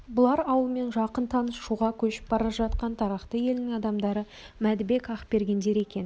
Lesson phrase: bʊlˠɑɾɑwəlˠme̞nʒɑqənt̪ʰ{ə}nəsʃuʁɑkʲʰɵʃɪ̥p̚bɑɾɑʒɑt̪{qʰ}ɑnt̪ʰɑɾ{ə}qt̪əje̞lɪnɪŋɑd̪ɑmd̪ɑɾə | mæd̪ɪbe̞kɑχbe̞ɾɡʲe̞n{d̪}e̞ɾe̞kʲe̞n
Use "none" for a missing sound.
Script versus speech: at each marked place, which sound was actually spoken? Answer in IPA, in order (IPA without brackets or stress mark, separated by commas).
ɑ, q, ɑ, d̪